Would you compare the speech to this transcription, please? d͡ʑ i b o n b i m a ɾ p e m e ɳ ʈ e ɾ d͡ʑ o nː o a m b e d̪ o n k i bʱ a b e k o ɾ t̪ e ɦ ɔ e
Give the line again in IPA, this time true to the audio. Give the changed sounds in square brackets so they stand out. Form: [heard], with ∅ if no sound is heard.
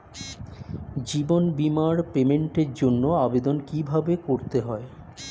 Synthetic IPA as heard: d͡ʑ i b o n b i m a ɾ p e m e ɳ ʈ e ɾ d͡ʑ o nː o a [∅] b e d̪ o n k i bʱ a b e k o ɾ t̪ e ɦ ɔ e